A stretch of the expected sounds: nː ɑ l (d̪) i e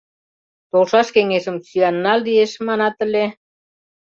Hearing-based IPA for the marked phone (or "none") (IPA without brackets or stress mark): d̪